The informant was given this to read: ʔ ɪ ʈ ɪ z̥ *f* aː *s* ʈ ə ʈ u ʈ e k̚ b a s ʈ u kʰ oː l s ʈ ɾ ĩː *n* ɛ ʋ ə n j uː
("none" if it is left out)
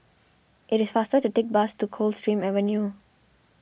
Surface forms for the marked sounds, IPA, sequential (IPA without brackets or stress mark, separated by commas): f, s, m